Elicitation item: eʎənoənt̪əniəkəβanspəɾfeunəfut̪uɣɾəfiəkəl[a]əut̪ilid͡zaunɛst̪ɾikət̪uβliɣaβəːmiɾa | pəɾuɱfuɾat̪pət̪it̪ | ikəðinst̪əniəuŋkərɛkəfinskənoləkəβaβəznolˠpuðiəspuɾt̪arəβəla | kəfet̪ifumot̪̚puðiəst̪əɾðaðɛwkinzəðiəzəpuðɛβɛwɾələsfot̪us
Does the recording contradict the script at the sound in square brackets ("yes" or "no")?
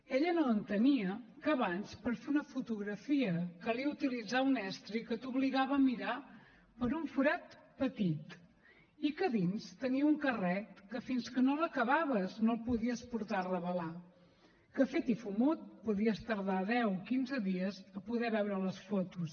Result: yes